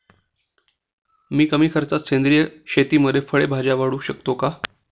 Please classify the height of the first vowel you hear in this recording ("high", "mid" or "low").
high